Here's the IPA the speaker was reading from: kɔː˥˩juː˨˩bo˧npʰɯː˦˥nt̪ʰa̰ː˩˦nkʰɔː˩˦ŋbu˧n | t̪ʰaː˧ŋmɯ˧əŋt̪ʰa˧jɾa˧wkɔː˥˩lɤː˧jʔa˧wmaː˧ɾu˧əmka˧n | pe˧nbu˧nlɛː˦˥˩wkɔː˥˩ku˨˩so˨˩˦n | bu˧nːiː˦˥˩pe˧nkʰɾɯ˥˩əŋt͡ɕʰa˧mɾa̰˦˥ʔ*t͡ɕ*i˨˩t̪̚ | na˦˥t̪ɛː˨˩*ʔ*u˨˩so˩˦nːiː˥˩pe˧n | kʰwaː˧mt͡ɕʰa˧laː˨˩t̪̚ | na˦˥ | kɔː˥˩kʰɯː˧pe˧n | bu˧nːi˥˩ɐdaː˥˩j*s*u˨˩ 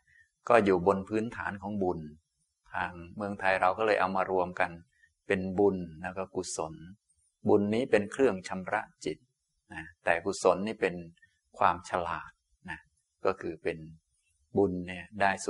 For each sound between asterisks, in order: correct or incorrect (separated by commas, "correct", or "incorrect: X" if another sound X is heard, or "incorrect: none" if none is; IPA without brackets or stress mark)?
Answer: correct, incorrect: k, correct